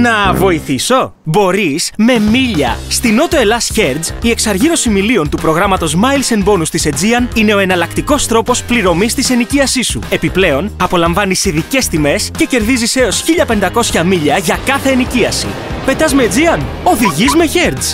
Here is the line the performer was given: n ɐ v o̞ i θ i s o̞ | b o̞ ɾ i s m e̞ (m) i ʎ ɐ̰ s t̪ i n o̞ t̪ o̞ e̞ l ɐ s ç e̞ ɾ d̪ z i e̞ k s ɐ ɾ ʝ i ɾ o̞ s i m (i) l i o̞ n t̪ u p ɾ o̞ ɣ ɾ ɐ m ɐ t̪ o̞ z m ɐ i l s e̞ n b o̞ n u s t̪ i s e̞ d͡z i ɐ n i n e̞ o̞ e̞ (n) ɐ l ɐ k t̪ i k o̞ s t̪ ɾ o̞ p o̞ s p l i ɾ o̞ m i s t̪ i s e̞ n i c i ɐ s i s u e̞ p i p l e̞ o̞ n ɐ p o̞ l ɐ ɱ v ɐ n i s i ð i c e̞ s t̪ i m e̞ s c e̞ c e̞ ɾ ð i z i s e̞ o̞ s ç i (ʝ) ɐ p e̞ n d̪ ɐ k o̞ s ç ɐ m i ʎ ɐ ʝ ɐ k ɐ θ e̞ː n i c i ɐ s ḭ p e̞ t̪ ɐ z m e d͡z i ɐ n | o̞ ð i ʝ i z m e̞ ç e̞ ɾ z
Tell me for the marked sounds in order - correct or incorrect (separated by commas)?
correct, correct, correct, incorrect